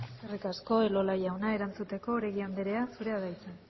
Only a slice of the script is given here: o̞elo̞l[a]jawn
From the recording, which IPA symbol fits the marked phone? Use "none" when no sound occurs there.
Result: a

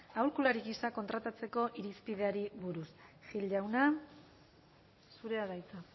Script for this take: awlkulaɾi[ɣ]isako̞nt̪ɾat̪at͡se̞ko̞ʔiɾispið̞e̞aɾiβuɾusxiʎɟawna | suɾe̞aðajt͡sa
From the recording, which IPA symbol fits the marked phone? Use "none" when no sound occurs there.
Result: ɣ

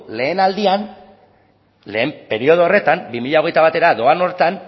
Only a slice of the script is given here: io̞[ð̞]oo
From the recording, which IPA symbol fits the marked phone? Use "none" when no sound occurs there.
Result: ð̞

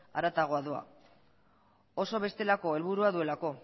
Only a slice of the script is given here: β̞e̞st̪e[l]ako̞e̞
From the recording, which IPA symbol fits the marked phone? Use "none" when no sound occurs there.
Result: l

